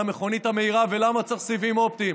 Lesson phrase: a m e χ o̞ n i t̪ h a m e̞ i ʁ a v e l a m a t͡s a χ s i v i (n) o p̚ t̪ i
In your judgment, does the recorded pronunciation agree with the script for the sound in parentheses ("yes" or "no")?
no